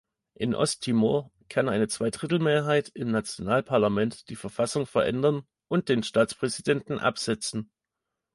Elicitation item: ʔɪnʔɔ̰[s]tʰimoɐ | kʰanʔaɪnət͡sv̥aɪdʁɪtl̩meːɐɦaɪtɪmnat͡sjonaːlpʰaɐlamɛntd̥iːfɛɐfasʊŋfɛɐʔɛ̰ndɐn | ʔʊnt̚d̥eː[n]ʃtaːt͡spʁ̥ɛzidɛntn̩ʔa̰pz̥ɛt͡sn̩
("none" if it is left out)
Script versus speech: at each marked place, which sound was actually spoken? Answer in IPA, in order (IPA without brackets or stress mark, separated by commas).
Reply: s, n